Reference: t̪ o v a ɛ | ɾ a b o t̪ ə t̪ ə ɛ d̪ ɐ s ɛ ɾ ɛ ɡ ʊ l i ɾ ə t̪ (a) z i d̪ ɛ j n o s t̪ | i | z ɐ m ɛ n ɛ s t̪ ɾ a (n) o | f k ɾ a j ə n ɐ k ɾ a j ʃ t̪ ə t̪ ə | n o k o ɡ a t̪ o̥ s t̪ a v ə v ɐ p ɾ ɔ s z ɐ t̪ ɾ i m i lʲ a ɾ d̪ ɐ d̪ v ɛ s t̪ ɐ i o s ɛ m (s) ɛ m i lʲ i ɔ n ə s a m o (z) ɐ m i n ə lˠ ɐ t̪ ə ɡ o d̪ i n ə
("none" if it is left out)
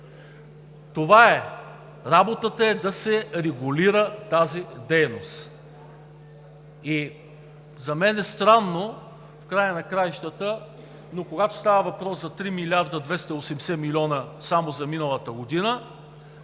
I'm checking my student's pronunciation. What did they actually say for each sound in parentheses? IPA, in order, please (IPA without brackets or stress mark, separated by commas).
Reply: a, nː, s, z